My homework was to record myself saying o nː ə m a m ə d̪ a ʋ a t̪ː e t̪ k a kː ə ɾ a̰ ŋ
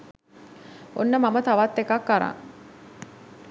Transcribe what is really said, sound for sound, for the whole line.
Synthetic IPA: o nː ə m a m ə t̪ a ʋ a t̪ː e k a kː a ɾ a̰ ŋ